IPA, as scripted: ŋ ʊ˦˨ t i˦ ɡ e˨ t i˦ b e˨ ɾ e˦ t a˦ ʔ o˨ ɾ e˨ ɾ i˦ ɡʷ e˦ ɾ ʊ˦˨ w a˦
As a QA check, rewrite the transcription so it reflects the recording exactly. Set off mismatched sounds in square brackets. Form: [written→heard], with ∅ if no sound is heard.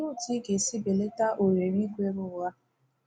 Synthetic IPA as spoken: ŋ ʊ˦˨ t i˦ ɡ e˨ [t→s] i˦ b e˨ [ɾ→l] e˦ t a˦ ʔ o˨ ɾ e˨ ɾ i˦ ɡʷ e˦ ɾ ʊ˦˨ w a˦